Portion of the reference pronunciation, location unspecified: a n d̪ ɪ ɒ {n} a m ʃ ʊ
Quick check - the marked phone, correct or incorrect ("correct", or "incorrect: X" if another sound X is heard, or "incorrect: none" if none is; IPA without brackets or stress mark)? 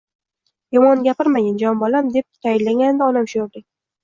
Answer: correct